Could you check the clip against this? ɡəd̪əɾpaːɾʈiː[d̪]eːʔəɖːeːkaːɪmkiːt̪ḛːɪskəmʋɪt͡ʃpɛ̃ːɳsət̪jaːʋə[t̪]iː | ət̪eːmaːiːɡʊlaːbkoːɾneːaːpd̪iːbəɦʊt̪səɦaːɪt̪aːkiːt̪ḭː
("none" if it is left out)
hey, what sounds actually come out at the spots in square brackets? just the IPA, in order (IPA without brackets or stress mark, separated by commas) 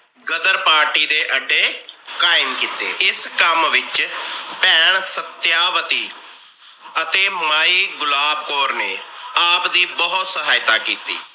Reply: d̪, t̪